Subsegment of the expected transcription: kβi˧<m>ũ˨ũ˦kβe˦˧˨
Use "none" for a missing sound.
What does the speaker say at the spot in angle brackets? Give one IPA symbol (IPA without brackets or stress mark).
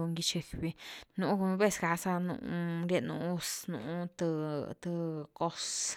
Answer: n